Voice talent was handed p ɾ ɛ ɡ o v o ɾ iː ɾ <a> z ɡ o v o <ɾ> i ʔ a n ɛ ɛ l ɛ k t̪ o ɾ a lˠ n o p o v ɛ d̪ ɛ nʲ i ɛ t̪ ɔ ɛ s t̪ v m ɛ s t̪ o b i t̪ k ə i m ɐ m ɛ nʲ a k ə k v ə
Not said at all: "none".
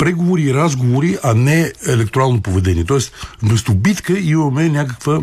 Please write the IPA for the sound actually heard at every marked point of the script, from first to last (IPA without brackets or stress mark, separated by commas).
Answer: a, ɾ